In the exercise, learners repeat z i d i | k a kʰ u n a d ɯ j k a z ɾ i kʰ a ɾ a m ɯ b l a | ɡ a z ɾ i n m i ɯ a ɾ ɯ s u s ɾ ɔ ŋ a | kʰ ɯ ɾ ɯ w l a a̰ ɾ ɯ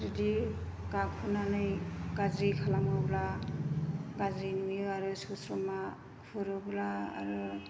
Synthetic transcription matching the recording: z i d i | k a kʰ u n a n ɯ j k a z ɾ i kʰ a l a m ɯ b l a | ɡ a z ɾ i n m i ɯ a ɾ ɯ s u s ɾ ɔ m a | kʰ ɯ ɾ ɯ b l a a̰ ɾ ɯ